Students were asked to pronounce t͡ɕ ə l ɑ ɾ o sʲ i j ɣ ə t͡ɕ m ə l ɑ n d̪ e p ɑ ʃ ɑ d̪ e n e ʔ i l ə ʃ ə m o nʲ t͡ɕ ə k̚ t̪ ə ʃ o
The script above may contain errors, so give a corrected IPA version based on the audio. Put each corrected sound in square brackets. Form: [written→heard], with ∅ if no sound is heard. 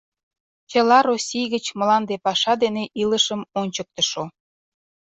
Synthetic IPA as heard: t͡ɕ ə l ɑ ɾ o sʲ i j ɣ ə t͡ɕ m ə l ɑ n d̪ e p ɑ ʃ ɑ d̪ e n e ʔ i l ə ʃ ə m o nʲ t͡ɕ ə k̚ t̪ ə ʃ o